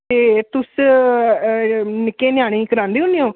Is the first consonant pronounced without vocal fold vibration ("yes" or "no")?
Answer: yes